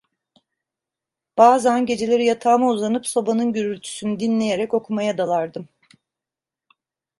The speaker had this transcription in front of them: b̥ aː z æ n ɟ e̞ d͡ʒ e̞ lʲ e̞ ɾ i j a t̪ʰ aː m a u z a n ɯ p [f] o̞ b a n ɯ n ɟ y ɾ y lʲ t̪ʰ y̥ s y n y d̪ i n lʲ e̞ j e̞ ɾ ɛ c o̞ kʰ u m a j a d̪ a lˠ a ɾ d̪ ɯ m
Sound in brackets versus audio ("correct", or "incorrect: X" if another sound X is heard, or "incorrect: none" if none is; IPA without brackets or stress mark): incorrect: s